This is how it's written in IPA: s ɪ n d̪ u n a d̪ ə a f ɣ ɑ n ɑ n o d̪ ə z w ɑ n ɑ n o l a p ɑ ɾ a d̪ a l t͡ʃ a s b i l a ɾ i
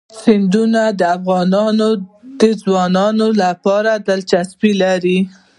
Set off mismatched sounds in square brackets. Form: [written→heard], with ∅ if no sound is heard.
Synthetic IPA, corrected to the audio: s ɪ n d̪ u n a d̪ ə a f ɣ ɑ n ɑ n o d̪ ə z w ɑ n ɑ n o l a p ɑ ɾ a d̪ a l t͡ʃ a s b i l a ɾ i